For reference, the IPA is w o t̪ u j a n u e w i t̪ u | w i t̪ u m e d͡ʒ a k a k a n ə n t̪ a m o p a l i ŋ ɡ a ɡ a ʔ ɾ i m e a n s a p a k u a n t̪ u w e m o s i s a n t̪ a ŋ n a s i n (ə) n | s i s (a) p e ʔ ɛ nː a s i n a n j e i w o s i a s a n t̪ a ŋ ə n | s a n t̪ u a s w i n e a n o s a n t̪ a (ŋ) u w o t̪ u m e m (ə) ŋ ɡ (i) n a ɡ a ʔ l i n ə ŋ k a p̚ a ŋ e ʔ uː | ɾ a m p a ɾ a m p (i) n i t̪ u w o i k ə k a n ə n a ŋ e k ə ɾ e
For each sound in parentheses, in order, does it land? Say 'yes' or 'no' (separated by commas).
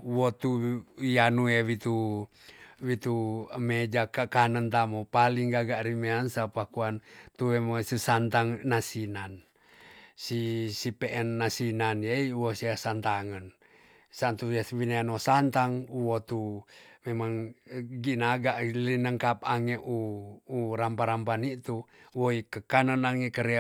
no, no, yes, no, yes, no